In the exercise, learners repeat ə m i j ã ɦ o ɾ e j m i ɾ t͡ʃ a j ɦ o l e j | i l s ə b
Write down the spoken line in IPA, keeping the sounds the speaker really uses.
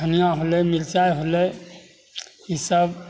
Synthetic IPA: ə n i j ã ɦ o l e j m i l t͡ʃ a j ɦ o l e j | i s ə b